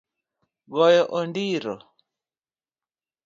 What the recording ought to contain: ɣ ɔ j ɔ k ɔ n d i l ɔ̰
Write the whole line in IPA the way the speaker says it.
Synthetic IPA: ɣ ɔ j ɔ ʔ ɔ n d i ɾ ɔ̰